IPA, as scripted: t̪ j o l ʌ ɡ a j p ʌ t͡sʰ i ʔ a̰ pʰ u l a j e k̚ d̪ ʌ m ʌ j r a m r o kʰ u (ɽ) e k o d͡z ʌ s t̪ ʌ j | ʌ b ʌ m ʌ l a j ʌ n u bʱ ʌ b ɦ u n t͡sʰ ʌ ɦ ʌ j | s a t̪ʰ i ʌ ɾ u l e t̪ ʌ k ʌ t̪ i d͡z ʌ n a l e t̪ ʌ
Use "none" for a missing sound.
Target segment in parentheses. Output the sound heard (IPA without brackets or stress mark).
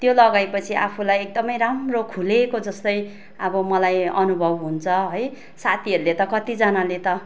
l